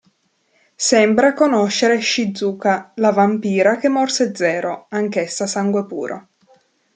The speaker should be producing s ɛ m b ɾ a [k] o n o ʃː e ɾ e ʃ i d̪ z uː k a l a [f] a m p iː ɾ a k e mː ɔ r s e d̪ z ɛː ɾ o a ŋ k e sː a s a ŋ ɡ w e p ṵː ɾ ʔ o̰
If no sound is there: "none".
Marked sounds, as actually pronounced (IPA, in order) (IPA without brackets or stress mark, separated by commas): k, v